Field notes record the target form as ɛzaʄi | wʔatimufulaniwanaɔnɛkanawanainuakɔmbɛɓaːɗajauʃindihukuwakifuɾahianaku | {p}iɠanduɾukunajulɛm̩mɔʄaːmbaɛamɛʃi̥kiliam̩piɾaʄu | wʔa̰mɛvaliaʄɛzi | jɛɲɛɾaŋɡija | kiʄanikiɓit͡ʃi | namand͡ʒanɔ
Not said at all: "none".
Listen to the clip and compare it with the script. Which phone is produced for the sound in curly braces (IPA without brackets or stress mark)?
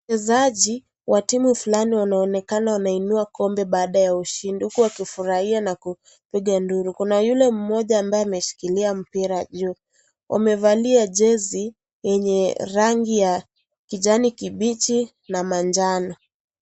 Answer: p